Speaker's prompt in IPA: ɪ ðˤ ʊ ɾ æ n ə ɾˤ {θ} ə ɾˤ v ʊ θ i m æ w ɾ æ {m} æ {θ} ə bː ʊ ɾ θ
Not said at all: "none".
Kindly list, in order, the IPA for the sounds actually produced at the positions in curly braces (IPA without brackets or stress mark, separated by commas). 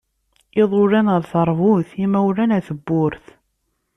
θ, n, θ